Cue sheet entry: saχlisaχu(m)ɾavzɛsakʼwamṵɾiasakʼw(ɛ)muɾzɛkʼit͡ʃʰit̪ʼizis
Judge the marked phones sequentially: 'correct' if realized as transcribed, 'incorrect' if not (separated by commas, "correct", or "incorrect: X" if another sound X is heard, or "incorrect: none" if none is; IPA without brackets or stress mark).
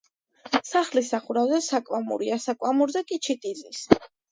incorrect: none, incorrect: a